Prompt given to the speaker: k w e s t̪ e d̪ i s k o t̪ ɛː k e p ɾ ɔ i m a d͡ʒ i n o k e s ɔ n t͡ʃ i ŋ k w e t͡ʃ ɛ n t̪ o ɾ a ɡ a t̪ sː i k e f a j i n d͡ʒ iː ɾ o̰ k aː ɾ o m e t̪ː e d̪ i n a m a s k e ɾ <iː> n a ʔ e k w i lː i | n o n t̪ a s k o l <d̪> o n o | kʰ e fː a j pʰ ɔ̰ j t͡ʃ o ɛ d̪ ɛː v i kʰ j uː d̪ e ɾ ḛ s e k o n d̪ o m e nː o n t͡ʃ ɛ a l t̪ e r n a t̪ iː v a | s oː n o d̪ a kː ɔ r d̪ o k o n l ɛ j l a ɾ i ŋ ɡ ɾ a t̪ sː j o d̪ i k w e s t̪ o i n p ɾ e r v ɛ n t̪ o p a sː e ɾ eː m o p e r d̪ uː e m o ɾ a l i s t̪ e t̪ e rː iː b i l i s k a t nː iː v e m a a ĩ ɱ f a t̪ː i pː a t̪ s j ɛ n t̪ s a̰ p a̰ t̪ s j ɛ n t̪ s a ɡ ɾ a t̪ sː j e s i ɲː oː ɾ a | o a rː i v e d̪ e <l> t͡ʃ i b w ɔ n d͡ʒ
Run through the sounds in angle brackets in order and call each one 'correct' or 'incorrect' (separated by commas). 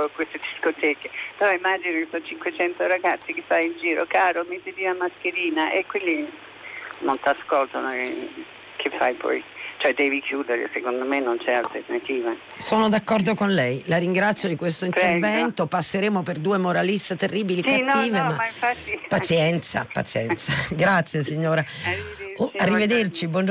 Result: correct, incorrect, incorrect